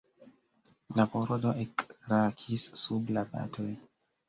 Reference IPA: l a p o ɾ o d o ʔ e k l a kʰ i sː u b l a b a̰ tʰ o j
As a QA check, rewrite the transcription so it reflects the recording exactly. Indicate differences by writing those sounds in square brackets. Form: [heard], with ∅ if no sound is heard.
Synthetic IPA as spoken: l a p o ɾ o d o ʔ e k [ɾ] a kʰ i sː u b l a b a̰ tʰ o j